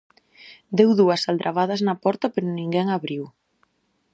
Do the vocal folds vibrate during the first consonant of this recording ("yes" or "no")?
yes